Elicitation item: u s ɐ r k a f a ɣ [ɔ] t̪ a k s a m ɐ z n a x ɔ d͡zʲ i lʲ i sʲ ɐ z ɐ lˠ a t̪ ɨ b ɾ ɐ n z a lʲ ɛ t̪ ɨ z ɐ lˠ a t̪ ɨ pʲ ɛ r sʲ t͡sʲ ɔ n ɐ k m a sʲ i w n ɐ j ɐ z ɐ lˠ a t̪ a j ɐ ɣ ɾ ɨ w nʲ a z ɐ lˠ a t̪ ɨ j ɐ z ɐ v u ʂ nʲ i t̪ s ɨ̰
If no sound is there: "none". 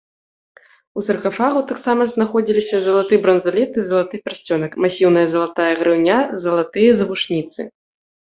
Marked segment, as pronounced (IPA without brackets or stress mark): u